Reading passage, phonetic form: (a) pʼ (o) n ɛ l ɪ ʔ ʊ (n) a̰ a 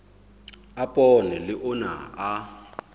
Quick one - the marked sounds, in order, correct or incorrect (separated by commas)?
correct, incorrect, correct